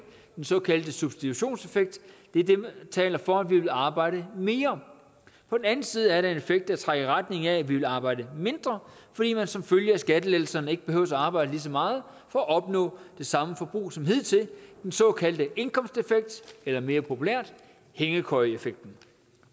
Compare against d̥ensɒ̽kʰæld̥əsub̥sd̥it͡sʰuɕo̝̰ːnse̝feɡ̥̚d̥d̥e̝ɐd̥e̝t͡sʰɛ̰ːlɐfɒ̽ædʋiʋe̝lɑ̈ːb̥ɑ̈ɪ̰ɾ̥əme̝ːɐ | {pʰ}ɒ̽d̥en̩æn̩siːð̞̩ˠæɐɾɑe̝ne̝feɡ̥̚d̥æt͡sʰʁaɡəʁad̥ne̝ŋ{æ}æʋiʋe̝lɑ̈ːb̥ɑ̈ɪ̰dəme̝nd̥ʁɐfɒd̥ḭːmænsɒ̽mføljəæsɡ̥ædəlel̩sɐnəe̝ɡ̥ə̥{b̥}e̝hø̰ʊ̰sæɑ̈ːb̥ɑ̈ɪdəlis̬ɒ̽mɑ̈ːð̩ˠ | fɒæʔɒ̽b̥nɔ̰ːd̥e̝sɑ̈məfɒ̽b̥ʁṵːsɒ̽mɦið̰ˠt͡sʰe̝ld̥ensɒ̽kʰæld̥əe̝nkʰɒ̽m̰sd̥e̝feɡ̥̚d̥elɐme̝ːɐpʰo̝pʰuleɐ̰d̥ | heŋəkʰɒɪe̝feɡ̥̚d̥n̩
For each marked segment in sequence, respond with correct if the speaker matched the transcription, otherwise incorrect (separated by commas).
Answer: correct, correct, correct